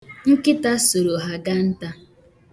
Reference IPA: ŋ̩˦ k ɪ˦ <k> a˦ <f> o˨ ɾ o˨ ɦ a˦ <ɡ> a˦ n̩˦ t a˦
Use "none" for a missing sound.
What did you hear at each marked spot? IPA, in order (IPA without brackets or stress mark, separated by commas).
t, s, ɡ